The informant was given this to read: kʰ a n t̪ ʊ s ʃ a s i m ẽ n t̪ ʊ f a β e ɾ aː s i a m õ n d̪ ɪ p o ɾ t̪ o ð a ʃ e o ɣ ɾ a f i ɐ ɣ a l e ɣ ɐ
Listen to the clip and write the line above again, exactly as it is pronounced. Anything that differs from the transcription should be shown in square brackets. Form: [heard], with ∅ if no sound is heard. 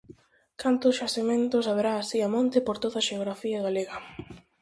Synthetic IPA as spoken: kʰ a n t̪ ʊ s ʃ a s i m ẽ n t̪ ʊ [s] a β e ɾ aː s i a m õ n [t̪] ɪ p o ɾ t̪ o ð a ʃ e o ɣ ɾ a f i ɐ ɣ a l e ɣ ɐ